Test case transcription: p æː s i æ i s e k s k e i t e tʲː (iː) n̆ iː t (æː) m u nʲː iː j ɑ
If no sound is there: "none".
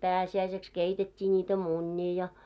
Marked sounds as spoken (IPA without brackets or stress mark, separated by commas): iː, æ